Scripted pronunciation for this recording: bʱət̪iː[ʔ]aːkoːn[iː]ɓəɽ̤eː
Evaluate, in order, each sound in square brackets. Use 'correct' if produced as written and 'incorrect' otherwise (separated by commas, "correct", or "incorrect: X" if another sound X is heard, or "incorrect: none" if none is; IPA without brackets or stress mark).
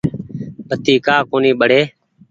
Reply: incorrect: k, correct